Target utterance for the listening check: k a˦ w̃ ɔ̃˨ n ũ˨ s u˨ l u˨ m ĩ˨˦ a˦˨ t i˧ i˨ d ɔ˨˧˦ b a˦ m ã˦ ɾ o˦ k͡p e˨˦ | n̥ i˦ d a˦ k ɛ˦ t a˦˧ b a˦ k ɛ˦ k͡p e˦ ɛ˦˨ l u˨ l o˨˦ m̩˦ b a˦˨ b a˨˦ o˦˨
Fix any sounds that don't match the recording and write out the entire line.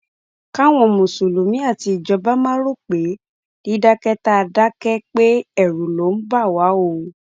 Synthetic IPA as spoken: k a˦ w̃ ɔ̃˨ m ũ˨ s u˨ l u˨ m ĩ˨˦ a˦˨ t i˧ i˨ d͡ʒ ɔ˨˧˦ b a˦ m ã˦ ɾ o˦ k͡p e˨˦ | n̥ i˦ d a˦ k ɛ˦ t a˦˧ d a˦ k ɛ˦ k͡p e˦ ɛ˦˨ ɾ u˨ l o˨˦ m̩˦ b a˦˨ w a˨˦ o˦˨